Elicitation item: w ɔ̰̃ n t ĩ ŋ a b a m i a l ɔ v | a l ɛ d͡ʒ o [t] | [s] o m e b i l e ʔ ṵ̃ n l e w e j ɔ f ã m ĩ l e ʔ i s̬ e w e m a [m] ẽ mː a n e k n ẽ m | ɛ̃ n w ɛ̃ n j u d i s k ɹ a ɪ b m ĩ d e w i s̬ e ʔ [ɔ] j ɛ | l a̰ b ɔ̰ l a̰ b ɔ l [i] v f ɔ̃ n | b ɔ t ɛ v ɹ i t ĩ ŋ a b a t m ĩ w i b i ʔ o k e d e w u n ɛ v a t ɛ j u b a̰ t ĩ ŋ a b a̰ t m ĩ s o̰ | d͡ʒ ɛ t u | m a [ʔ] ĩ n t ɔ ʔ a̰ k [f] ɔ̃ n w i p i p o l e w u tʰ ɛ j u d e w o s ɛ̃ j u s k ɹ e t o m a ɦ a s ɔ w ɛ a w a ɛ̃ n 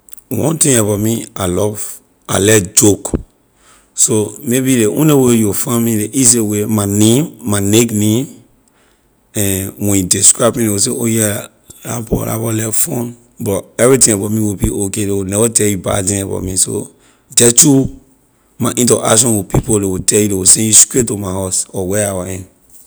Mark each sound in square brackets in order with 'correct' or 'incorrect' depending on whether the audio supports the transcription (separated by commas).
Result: incorrect, correct, incorrect, incorrect, incorrect, correct, incorrect